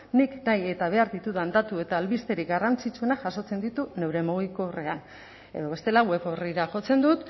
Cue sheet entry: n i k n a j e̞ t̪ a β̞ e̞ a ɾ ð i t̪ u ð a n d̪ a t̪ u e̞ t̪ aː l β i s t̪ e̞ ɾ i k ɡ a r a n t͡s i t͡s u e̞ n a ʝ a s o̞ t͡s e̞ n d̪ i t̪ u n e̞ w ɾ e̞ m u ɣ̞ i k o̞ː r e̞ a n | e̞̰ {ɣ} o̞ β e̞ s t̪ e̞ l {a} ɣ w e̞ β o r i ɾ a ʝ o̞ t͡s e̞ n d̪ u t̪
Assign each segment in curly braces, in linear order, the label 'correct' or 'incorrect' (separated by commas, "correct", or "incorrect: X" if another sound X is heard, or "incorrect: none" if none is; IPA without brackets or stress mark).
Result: incorrect: ð, correct